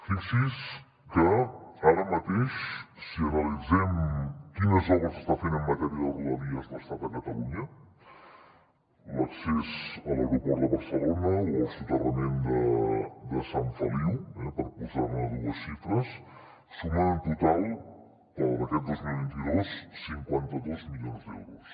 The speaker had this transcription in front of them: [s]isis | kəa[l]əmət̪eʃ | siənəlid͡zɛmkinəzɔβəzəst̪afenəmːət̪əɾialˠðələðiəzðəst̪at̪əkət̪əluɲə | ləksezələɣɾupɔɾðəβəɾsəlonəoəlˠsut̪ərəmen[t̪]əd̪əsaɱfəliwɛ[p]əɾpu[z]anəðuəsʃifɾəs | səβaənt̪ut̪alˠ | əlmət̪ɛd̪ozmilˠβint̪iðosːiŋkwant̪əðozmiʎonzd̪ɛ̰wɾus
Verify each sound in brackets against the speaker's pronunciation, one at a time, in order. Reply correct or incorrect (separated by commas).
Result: incorrect, incorrect, incorrect, correct, correct